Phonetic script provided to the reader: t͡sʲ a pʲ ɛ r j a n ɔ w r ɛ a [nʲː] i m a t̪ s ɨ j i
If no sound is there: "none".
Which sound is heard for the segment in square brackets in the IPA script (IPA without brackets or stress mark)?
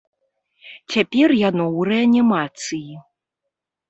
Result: nʲ